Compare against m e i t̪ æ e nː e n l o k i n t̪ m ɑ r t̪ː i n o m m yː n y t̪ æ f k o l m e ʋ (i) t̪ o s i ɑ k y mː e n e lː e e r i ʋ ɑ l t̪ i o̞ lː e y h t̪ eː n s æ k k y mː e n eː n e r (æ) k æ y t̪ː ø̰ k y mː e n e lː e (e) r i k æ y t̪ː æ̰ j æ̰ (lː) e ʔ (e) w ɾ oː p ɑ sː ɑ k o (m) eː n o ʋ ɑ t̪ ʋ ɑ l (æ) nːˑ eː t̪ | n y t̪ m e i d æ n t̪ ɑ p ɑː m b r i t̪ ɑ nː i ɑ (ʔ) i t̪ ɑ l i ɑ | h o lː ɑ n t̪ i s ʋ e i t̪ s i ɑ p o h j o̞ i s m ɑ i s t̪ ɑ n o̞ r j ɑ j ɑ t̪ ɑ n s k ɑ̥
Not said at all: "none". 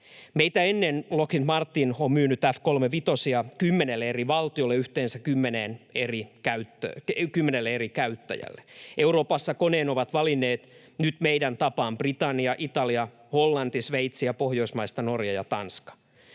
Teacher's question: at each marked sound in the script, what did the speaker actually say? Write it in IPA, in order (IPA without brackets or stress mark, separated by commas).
i, i, e, lː, e, n, i, ʔ